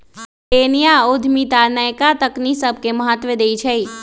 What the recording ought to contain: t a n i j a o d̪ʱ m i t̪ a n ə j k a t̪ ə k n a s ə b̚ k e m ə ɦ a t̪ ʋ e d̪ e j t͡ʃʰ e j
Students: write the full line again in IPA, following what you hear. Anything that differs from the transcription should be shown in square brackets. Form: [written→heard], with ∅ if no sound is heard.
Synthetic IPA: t [a→e] n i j a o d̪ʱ m i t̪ a n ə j k a t̪ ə k n [a→i] s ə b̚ k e m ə ɦ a t̪ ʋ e d̪ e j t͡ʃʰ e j